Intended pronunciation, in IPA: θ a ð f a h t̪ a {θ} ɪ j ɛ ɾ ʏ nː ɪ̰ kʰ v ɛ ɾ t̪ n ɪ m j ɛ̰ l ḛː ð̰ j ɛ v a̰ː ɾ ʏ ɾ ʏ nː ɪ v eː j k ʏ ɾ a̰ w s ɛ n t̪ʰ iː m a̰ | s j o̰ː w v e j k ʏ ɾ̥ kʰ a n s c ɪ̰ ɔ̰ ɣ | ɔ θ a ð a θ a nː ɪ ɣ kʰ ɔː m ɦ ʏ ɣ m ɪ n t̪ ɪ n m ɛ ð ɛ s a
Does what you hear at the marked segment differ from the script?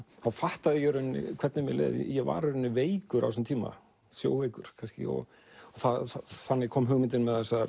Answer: yes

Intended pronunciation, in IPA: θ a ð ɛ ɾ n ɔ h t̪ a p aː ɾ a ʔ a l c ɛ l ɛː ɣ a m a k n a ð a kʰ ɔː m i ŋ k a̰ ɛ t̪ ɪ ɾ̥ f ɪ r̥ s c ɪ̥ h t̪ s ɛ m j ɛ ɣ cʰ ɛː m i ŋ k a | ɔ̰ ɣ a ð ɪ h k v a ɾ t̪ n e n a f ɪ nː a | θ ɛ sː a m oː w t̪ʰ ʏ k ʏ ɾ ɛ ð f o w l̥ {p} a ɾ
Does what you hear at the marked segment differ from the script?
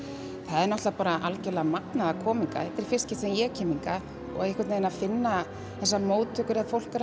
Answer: yes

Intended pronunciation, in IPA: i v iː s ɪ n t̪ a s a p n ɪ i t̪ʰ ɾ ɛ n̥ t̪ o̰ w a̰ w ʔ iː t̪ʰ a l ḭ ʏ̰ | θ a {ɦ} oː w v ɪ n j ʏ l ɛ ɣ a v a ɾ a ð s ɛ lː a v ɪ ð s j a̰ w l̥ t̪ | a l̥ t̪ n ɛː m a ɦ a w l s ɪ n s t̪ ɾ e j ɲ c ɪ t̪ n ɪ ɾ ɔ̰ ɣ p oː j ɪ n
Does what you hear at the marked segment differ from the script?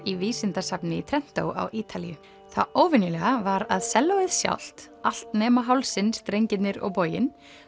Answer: yes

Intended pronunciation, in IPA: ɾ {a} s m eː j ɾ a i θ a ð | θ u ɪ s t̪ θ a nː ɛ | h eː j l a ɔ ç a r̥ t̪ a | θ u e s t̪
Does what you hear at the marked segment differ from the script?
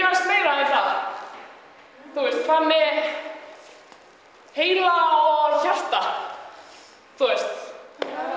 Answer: no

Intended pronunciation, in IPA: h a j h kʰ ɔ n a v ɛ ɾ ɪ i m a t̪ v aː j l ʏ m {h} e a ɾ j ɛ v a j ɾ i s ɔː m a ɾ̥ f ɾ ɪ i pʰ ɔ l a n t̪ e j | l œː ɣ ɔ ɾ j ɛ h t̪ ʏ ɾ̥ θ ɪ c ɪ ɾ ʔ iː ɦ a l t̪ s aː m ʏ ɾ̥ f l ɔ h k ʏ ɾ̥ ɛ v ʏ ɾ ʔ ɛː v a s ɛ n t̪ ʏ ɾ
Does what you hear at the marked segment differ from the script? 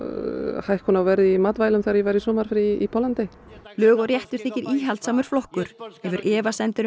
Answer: yes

